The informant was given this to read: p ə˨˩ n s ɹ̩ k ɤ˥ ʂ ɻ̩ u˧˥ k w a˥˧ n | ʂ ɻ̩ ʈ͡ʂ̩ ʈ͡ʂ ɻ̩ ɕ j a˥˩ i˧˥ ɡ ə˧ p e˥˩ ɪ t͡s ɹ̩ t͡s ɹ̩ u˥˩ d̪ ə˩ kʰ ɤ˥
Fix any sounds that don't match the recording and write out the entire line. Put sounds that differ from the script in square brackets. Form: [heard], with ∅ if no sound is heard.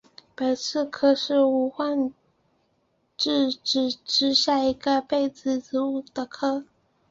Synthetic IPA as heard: p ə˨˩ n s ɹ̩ [kʰ] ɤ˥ ʂ ɻ̩ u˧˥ [x] w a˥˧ n | [ʈ͡ʂ] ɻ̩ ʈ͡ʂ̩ ʈ͡ʂ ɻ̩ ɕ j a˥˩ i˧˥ ɡ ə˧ p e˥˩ ɪ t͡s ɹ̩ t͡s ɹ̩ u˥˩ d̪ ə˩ kʰ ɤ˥